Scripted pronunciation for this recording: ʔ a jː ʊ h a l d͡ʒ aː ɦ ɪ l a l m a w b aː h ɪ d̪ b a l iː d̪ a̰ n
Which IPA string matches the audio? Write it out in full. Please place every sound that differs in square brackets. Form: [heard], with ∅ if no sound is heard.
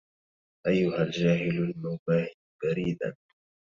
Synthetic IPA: ʔ a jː ʊ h a l d͡ʒ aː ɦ ɪ l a l m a w b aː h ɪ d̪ b a [ɾ] iː d̪ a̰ n